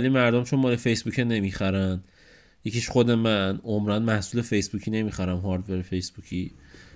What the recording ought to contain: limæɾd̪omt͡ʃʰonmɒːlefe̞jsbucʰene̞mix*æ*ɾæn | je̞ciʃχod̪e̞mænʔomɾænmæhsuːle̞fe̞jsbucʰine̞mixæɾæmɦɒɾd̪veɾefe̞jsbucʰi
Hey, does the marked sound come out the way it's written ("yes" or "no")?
yes